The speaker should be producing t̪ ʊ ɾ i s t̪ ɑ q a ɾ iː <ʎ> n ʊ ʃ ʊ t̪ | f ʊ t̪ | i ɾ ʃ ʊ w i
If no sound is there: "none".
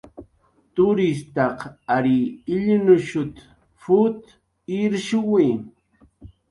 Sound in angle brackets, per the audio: ʎ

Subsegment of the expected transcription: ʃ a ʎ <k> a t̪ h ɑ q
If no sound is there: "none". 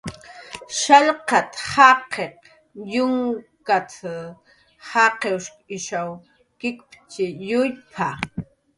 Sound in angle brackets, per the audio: q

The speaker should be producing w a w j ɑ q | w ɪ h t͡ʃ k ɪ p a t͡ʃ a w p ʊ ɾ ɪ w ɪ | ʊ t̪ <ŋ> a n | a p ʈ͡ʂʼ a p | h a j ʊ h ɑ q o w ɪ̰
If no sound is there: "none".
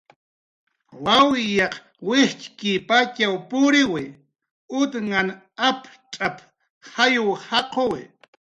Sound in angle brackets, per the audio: ŋ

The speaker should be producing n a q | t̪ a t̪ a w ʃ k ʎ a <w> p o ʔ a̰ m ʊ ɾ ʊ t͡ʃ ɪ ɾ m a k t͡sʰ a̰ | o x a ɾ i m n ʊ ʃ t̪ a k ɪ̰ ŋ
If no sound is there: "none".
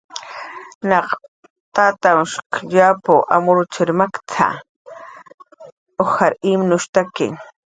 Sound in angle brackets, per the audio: none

